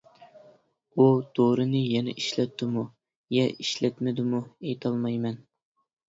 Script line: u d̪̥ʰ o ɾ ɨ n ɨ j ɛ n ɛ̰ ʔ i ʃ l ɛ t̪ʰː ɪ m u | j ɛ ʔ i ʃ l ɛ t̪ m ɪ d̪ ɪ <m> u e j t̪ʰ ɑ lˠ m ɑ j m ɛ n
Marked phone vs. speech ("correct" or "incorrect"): correct